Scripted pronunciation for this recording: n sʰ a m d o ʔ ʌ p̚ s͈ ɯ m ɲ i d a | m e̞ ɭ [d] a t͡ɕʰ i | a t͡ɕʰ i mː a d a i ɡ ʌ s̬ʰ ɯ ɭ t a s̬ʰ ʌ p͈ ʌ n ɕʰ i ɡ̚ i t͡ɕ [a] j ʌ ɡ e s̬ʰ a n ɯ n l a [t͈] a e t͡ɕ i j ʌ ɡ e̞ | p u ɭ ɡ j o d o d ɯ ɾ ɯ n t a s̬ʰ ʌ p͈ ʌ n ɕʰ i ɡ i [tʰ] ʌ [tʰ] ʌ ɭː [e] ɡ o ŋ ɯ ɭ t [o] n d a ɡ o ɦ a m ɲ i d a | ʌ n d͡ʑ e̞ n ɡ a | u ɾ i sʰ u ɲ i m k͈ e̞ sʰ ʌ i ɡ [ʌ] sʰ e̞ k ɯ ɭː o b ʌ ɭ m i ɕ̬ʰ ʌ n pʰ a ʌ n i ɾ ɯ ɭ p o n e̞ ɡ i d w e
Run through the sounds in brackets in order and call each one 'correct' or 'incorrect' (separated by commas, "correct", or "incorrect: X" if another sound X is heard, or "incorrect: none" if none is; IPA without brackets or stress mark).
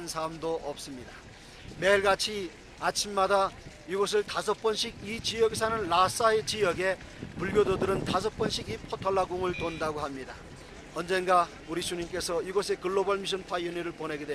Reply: incorrect: ɡ, incorrect: i, incorrect: s͈, incorrect: pʰ, correct, incorrect: a, correct, correct